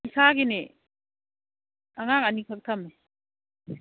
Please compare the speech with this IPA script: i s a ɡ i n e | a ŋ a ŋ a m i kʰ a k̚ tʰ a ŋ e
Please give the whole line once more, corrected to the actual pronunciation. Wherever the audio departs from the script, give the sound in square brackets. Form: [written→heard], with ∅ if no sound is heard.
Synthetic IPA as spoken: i s a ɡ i n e | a ŋ a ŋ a [m→n] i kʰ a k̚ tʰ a [ŋ→m] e